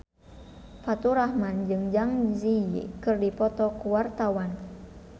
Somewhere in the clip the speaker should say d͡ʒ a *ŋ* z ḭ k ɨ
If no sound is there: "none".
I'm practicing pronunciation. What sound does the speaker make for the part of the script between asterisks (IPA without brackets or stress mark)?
ŋ